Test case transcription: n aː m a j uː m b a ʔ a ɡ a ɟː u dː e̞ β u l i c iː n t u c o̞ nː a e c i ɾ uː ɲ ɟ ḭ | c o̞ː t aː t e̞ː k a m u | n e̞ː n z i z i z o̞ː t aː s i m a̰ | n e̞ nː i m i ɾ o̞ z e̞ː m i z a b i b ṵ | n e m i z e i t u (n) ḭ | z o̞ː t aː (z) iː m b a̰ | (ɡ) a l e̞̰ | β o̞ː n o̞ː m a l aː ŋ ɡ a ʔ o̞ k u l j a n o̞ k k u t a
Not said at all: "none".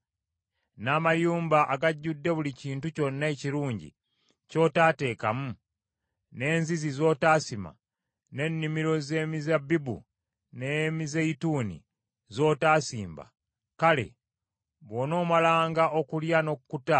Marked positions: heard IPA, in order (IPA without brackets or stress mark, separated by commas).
n, s, k